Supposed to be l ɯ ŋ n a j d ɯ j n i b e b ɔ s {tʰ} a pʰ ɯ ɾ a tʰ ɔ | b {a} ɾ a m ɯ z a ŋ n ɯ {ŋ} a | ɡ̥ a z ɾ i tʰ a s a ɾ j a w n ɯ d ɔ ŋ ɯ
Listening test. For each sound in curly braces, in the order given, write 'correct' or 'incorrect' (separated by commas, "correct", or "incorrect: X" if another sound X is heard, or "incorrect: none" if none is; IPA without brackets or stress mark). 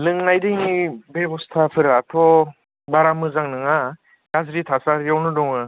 correct, correct, correct